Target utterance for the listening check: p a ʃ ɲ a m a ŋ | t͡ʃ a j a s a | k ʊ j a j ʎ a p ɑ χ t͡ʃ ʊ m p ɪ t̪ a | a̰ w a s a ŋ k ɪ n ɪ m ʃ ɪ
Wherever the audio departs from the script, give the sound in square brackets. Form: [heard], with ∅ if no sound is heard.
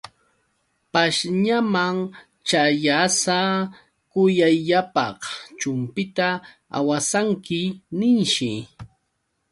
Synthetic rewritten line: p a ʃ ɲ a m a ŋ | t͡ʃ a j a s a | k ʊ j a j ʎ a p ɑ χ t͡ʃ ʊ m p ɪ t̪ a | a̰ w a s a ŋ k ɪ n ɪ [n] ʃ ɪ